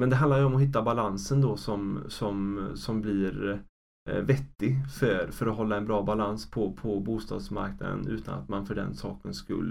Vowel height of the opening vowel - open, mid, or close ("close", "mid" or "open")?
mid